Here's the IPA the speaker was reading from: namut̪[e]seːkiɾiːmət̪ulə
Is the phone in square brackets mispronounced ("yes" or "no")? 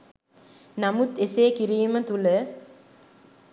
no